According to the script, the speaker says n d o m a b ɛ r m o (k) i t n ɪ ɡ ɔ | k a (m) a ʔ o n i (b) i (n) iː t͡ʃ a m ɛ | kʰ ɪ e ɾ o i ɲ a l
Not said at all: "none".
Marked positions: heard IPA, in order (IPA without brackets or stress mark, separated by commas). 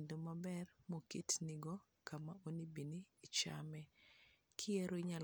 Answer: k, m, b, n